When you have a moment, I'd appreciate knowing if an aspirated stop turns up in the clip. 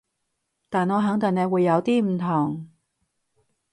yes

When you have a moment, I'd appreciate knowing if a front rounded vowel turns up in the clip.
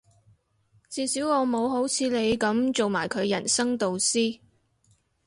no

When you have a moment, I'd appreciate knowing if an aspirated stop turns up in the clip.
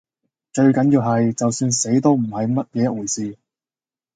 no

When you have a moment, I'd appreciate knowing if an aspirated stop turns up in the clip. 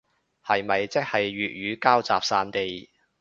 no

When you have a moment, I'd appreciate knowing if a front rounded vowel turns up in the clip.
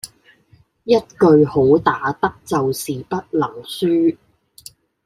yes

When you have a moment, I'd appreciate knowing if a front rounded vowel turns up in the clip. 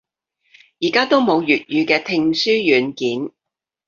yes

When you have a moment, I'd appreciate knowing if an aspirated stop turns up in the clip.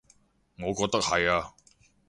no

